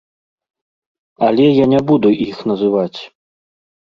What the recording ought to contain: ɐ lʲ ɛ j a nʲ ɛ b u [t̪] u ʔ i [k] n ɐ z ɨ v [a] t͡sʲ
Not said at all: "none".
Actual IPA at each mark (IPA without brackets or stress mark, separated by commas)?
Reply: d̪, x, a